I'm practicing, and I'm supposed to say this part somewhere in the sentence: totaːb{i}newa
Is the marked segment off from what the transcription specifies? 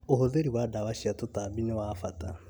no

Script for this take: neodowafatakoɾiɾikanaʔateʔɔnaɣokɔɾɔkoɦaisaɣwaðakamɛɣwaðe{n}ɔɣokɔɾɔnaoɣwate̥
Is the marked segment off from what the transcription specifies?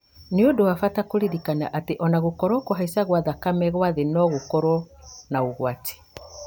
no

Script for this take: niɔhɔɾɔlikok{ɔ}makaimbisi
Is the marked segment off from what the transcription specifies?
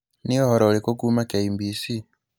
yes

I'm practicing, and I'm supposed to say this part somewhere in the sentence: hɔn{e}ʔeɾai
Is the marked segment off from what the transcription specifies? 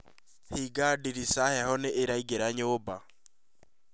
no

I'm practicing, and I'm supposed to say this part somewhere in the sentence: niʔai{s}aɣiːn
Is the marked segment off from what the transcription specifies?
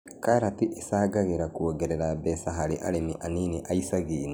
no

